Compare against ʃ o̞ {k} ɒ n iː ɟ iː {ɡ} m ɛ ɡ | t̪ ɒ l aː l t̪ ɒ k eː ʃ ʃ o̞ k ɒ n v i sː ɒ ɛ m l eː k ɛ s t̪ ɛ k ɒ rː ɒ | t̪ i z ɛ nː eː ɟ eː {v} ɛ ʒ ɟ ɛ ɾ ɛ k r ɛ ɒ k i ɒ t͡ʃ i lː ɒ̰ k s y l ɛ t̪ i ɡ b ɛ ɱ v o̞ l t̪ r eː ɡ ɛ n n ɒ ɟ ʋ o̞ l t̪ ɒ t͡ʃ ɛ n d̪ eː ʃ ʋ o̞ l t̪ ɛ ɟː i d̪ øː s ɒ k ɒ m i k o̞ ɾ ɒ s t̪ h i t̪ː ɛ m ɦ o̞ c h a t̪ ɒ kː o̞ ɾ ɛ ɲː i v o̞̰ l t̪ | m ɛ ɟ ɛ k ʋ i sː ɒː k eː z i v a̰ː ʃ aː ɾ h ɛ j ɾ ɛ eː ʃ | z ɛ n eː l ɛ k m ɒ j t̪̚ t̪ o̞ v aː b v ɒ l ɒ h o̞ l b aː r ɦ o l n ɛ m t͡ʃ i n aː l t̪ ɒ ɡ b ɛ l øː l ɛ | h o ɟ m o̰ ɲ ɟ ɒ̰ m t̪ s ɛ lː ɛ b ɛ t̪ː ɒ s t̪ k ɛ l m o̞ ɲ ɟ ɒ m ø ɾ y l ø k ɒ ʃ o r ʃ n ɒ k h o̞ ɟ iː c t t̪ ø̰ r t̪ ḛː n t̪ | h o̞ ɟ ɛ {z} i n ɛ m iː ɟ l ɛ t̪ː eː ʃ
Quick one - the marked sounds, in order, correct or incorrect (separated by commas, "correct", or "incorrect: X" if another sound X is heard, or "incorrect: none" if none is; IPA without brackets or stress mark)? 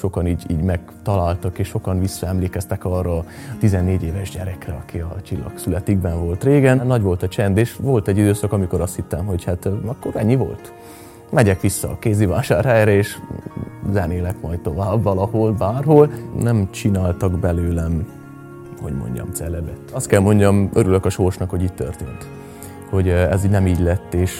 correct, incorrect: ɟ, correct, correct